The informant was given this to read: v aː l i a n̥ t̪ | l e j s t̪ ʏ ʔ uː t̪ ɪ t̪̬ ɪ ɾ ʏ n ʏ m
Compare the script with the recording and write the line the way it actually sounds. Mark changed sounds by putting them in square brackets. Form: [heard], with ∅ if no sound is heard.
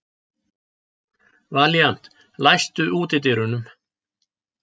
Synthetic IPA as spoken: v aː l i a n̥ t̪ | l [a] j s t̪ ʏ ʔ uː t̪ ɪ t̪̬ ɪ ɾ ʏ n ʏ m